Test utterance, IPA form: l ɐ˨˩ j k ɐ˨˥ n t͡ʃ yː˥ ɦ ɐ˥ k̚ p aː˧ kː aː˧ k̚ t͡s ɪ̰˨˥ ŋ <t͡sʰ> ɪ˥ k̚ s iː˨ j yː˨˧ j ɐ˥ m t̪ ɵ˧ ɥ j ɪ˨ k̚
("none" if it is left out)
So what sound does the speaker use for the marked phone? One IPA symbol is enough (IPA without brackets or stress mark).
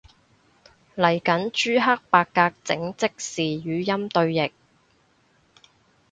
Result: t͡s